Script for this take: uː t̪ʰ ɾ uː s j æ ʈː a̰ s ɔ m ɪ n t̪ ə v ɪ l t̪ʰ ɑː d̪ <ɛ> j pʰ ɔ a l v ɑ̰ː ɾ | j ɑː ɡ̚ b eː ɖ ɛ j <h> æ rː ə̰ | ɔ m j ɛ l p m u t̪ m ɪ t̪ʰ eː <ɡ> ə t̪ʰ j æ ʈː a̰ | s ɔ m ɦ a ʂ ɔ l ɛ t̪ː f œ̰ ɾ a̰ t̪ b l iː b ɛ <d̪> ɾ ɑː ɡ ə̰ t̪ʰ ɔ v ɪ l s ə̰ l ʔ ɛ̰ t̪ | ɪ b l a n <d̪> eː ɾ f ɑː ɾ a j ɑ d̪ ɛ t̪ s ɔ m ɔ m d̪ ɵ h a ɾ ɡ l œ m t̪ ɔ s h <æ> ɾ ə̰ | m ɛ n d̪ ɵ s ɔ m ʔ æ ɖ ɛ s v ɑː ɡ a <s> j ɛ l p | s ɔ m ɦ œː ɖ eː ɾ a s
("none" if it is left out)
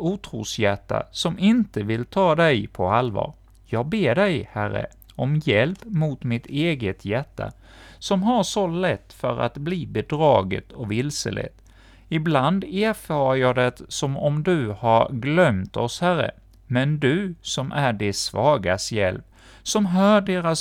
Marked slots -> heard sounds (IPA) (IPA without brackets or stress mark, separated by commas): ɛ, h, ɡ, d̪, d̪, æ, s